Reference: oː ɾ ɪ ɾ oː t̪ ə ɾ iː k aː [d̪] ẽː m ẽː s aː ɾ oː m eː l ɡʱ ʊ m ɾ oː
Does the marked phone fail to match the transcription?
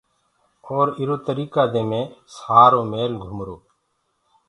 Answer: no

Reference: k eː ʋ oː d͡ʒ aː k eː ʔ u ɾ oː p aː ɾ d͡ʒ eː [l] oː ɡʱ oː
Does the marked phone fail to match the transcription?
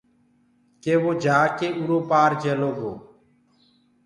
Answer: no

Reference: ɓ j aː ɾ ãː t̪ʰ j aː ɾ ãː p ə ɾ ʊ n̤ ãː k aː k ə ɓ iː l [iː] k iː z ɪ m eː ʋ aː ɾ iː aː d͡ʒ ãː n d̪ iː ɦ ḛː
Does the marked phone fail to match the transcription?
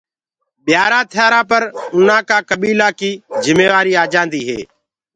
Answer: yes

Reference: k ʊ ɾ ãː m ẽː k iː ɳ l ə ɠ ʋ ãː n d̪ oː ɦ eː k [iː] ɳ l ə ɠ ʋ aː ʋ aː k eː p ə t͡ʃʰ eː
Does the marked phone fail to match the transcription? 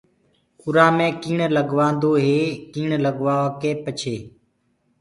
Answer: no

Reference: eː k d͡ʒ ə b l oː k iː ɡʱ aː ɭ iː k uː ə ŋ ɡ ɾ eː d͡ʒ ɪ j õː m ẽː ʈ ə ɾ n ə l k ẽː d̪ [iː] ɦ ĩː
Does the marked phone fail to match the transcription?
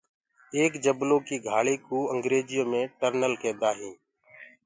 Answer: yes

